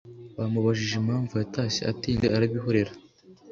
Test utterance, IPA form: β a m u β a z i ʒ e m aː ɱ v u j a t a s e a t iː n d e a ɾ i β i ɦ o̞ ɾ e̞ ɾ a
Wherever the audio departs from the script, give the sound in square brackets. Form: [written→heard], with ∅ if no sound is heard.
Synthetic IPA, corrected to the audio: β a m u β a [z→ʒ] i ʒ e m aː ɱ v u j a t a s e a t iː n d e a ɾ [i→a] β i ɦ o̞ ɾ e̞ ɾ a

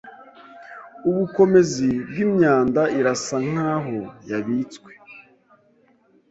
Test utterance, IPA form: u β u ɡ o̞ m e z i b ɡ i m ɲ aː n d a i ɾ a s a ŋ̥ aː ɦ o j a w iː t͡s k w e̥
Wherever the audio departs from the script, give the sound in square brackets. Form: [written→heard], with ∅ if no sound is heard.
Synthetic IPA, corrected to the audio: u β u [ɡ→k] o̞ m e z i b ɡ i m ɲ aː n d a i ɾ a s a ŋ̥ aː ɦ o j a [w→β] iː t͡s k w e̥

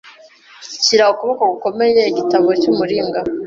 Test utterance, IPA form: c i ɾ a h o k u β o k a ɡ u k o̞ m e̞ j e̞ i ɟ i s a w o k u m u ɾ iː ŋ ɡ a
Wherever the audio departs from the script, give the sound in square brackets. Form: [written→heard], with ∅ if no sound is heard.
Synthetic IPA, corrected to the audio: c i ɾ a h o k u β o k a ɡ u k o̞ m e̞ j e̞ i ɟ i [s→t] a [w→β] o [k→c] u m u ɾ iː ŋ ɡ a

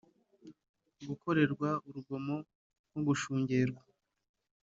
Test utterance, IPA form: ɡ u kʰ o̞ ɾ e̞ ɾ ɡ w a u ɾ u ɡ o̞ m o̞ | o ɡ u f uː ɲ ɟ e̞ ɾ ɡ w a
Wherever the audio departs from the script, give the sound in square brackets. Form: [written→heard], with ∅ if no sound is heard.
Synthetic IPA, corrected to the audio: ɡ u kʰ o̞ ɾ e̞ ɾ ɡ w a u ɾ u ɡ o̞ m o̞ | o ɡ u [f→ʃ] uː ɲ ɟ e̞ ɾ ɡ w a

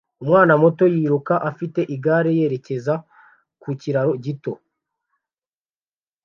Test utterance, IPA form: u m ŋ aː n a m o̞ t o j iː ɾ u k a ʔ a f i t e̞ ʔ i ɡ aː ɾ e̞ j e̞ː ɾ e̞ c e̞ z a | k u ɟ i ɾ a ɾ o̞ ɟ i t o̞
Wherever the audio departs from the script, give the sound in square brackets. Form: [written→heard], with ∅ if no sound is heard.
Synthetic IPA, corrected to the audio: u m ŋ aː n a m o̞ t o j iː ɾ u k a ʔ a f i t e̞ ʔ i ɡ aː ɾ e̞ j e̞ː ɾ e̞ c e̞ z a | k u [ɟ→c] i ɾ a ɾ o̞ ɟ i t o̞

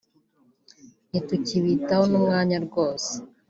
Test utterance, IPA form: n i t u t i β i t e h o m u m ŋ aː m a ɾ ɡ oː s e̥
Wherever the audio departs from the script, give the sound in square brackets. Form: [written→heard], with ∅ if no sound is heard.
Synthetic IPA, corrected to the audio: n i t u [t→c] i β i t [e→a] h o [m→n] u m ŋ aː [m→ɲ] a ɾ ɡ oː s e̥

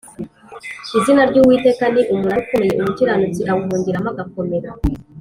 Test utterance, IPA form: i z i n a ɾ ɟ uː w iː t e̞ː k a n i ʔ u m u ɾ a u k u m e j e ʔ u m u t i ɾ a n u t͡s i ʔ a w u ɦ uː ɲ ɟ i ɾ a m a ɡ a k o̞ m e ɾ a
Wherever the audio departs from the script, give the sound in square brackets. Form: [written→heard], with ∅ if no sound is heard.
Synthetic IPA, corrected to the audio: i z i n a ɾ ɟ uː w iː t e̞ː k a n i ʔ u m u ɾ a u k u m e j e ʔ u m u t i ɾ a n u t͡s i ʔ a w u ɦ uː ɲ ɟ i ɾ a m a ɡ a k o̞ m e ɾ a

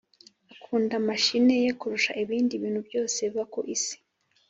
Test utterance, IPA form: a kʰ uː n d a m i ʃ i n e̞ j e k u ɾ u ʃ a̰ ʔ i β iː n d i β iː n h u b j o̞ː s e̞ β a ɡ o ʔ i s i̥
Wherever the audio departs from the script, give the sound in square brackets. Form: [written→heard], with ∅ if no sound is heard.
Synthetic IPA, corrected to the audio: a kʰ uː n d a m [i→a] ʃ i n e̞ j e k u ɾ u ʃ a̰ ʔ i β iː n d i β iː n h u b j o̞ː s e̞ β a [ɡ→k] o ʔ i s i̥

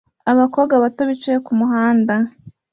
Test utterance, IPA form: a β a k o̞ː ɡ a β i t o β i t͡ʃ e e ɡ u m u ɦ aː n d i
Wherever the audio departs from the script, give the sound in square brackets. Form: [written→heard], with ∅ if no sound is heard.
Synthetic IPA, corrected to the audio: a β a k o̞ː ɡ a β [i→a] t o β i t͡ʃ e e [ɡ→k] u m u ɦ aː n d [i→a]

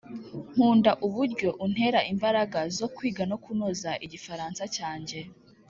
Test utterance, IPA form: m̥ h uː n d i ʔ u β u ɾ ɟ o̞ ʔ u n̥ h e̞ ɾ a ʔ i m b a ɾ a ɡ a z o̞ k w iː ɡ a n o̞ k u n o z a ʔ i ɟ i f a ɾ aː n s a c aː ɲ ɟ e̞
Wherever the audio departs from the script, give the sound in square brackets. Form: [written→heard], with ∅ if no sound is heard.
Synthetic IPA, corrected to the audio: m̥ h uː n d [i→a] ʔ u β u ɾ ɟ o̞ ʔ u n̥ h e̞ ɾ a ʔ i m b a ɾ a ɡ a z o̞ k w iː ɡ a n o̞ k u n o z a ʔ i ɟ i f a ɾ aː n s a c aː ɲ ɟ e̞

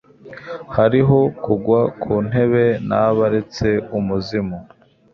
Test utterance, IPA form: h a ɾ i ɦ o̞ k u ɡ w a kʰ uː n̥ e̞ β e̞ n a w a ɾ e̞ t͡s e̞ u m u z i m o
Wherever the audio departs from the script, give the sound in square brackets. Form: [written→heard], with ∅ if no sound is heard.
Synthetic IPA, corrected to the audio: h a ɾ i ɦ o̞ k u ɡ w a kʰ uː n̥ e̞ β e̞ n a [w→β] a ɾ e̞ t͡s e̞ u m u z i m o

